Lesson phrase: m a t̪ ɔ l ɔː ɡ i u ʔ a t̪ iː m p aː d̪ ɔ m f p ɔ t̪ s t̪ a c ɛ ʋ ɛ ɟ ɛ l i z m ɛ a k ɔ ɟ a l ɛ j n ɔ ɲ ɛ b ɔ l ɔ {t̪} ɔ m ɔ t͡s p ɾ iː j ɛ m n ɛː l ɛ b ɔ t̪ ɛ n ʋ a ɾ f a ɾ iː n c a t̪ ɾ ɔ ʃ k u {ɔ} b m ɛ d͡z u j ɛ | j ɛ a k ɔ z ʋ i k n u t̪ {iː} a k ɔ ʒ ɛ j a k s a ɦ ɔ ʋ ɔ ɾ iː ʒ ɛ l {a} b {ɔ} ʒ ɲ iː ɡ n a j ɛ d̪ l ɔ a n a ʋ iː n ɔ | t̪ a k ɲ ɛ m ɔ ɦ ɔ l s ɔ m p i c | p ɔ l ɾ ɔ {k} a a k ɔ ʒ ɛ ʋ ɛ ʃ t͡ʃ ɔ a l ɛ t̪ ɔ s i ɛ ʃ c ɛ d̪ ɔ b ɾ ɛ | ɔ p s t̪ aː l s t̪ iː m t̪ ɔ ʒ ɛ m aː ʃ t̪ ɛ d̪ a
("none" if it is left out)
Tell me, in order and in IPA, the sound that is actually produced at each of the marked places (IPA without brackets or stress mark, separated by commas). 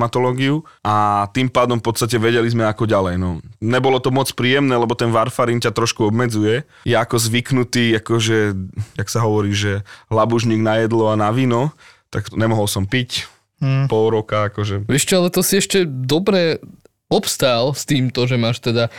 t̪, ɔ, iː, a, u, k